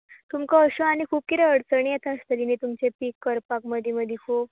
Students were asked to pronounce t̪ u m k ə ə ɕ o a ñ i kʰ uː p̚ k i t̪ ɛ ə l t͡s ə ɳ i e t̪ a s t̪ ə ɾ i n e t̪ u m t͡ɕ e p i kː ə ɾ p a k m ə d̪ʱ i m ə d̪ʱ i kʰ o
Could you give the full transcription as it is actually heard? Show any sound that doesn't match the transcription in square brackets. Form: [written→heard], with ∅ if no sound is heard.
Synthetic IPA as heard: t̪ u m k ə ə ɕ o a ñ i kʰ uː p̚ k i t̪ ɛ ə [l→ɽ] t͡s ə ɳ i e t̪ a s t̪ ə ɾ i n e t̪ u m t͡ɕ e p i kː ə ɾ p a k m ə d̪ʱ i m ə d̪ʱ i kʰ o